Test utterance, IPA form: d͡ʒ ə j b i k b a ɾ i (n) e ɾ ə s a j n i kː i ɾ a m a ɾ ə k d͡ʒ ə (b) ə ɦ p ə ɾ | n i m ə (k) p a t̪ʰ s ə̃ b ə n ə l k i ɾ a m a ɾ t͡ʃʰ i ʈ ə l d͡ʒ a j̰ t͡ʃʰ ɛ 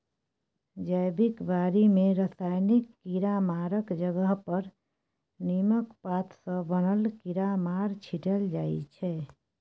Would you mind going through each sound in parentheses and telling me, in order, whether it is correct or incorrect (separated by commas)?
incorrect, incorrect, correct